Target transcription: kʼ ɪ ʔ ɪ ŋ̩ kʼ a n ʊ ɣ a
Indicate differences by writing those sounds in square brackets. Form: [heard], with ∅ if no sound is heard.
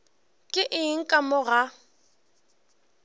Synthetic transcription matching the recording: kʼ ɪ ʔ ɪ ŋ̩ kʼ a [m] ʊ ɣ a